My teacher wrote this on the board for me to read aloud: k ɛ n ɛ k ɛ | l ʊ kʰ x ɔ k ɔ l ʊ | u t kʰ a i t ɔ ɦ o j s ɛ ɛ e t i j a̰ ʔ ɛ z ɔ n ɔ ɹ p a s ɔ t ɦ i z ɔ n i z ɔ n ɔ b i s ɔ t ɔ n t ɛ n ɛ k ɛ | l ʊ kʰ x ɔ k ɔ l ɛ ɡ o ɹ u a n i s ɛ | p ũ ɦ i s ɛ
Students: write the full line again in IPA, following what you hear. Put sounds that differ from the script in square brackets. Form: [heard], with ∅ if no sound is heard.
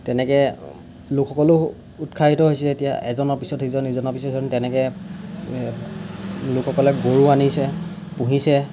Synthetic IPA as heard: [t] ɛ n ɛ k ɛ | l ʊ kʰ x ɔ k ɔ l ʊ | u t kʰ a i t ɔ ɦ o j s ɛ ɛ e t i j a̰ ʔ ɛ z ɔ n ɔ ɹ p [i] s ɔ t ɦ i z ɔ n i z ɔ n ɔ [p] i s ɔ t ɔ n t ɛ n ɛ k ɛ | l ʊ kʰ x ɔ k ɔ l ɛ ɡ o ɹ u a n i s ɛ | p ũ ɦ i s ɛ